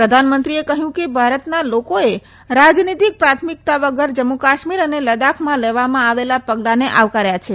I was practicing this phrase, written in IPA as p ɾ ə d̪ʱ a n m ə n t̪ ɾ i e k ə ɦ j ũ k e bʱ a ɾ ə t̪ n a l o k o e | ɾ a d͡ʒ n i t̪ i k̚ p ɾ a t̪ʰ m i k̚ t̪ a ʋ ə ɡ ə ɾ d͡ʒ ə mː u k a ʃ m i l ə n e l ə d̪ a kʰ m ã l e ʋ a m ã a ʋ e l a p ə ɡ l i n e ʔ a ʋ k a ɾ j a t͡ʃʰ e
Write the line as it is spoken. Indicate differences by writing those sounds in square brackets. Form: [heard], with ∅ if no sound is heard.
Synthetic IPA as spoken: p ɾ ə d̪ʱ a n m ə n t̪ ɾ i e k ə ɦ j ũ k e bʱ a ɾ ə t̪ n a l o k o e | ɾ a d͡ʒ n i t̪ i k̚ p ɾ a t̪ʰ m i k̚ t̪ a ʋ ə ɡ ə ɾ d͡ʒ ə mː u k a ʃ m i [ɾ] ə n e l ə d̪ a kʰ m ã l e ʋ a m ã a ʋ e l a p ə ɡ l [a] n e ʔ a ʋ k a ɾ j a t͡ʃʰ e